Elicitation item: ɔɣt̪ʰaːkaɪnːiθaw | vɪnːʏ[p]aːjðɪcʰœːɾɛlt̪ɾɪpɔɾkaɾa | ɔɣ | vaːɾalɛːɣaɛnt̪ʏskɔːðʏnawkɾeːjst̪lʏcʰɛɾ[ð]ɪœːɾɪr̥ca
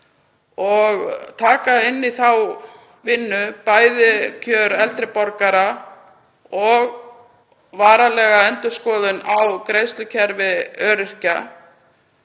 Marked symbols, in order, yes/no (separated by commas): yes, no